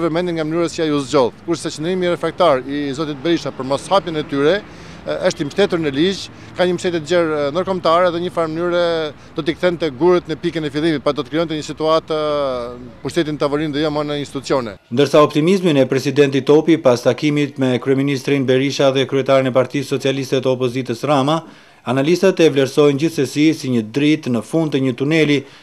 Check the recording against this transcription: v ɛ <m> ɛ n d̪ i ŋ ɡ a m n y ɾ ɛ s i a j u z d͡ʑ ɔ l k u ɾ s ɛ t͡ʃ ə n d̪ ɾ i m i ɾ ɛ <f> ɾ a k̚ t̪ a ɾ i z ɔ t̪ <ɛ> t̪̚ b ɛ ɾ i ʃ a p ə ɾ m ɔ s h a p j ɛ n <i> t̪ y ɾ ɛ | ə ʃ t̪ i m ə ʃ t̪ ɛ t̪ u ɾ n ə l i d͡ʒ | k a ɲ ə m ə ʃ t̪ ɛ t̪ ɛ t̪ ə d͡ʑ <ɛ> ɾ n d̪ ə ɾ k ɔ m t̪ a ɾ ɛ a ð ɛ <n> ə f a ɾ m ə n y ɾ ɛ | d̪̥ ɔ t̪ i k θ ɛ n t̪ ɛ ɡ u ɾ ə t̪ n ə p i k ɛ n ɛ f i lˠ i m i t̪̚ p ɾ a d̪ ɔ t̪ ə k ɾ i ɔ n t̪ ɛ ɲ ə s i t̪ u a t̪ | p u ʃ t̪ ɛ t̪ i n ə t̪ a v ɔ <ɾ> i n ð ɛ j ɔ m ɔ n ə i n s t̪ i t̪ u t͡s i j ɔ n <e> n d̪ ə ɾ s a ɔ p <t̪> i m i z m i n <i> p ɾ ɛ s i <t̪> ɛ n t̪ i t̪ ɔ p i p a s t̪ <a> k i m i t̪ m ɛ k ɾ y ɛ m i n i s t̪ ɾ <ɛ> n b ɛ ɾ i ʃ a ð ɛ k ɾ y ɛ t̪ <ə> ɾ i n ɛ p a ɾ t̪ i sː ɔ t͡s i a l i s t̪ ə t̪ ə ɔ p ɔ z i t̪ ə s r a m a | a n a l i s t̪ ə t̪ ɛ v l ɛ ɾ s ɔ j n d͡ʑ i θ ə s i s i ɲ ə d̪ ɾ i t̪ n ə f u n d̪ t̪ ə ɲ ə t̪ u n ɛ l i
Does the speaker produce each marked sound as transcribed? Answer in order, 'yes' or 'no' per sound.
yes, yes, no, no, yes, no, yes, no, yes, no, no, yes, no, no

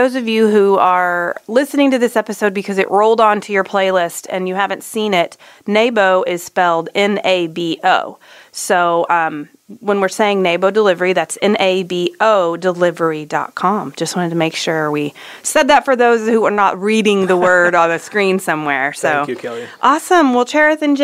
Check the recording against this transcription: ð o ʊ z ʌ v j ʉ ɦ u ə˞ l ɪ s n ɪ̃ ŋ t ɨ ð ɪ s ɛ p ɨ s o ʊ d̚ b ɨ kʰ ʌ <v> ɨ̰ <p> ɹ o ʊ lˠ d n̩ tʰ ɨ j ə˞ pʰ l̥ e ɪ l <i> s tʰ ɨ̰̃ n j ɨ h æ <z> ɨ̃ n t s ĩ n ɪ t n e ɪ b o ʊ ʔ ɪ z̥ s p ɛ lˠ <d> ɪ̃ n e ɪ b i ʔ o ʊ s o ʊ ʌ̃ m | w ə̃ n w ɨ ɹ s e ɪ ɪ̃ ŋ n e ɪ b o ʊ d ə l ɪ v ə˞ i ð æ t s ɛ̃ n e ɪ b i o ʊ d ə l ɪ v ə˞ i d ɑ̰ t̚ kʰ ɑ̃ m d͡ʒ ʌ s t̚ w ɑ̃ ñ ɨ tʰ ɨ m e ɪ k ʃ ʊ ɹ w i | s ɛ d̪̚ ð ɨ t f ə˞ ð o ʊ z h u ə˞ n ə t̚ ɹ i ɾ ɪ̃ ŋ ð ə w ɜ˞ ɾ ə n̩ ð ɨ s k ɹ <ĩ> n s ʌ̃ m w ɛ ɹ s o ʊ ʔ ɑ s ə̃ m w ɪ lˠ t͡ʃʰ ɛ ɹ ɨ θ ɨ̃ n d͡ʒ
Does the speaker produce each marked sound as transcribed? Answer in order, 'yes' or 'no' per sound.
no, no, no, no, yes, yes

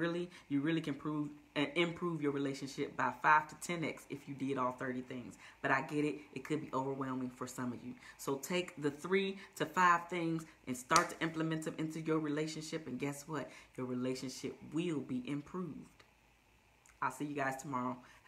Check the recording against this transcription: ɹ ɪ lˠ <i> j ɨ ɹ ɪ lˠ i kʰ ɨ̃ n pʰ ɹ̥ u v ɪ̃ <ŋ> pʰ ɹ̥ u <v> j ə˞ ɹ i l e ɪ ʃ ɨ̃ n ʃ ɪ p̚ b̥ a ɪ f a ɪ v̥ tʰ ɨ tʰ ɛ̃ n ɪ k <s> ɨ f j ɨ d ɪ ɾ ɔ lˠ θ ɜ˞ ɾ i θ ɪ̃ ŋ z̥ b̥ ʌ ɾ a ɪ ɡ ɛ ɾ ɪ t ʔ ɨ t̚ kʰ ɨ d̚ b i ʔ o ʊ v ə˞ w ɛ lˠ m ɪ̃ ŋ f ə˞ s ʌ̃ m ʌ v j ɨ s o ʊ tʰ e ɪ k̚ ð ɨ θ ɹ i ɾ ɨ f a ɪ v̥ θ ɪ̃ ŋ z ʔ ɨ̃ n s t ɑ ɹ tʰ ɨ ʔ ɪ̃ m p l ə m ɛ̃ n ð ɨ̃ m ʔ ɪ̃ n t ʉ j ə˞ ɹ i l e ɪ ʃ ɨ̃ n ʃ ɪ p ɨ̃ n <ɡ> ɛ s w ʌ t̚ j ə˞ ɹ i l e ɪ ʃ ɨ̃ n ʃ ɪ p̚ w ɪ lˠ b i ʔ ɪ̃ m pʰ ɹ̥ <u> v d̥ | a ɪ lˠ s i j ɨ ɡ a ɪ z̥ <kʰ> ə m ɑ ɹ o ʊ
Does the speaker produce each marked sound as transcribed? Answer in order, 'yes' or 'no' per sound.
yes, no, yes, yes, yes, yes, no

